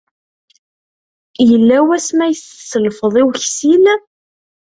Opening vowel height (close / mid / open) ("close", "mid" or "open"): mid